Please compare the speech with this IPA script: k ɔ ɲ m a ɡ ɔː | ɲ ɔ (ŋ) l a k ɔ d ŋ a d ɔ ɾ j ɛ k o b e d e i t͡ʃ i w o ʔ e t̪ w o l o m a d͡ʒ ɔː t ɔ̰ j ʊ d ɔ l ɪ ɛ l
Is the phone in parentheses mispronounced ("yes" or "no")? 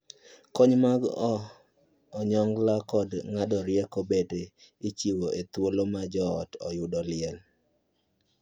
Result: no